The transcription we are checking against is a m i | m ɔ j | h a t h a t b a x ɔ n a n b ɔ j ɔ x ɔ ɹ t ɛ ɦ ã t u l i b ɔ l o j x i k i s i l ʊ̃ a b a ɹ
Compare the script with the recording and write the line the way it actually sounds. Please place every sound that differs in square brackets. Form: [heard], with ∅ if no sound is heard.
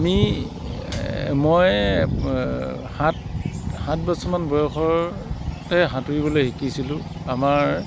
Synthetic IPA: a m i | m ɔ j | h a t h a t b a [s] ɔ [m] a n b ɔ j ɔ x ɔ ɹ t ɛ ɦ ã t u [ɹ] i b ɔ l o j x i k i s i l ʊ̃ a [m] a ɹ